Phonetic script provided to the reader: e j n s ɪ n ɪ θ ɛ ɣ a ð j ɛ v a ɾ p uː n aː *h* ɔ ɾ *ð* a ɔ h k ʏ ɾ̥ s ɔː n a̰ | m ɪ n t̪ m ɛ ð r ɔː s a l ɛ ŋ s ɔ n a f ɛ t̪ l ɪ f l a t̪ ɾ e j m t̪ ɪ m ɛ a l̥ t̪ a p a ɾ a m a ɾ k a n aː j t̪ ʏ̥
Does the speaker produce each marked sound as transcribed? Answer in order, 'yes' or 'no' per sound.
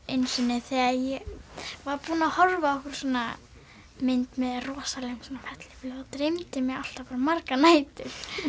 yes, no

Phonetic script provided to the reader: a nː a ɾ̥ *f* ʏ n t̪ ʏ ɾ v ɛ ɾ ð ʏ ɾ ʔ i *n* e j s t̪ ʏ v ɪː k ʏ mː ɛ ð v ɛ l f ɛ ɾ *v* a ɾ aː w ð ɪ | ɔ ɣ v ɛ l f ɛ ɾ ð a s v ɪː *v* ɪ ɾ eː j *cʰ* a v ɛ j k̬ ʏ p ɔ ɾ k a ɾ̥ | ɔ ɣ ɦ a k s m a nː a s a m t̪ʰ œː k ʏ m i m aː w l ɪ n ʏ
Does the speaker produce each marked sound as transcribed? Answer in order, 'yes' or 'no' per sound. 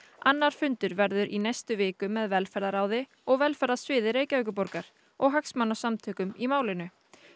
yes, yes, no, no, no

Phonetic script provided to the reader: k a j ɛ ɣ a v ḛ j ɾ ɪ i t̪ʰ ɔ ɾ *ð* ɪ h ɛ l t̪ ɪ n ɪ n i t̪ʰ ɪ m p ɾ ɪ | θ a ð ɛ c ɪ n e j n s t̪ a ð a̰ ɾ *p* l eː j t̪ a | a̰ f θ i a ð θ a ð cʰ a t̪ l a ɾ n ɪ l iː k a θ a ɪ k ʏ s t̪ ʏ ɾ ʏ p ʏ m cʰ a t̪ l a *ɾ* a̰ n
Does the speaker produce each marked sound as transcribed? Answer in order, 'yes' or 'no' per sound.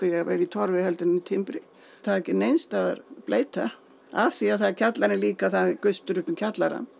no, yes, yes

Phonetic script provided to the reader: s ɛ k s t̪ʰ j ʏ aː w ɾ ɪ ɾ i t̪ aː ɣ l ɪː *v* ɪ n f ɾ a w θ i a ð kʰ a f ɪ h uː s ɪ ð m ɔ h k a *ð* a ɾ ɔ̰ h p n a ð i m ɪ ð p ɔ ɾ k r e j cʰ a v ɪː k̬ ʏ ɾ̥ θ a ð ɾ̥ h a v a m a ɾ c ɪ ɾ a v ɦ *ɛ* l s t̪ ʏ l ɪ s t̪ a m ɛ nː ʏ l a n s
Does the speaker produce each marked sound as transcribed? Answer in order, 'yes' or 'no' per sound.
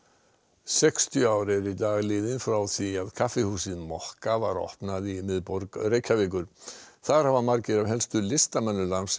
no, no, yes

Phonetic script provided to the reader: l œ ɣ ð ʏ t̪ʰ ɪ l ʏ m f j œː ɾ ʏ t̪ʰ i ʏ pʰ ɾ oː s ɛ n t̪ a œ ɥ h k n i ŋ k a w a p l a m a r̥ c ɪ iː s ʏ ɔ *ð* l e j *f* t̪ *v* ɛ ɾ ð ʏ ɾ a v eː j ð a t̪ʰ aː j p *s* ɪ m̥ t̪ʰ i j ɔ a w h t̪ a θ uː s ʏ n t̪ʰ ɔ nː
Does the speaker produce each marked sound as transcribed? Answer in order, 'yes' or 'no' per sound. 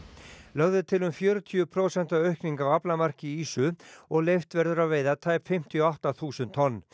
no, yes, yes, no

